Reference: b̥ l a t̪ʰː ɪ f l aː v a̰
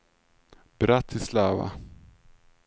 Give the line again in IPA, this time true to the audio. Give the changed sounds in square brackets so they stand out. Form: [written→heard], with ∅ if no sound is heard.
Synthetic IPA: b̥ [l→ɾ] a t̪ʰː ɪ [f→s] l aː v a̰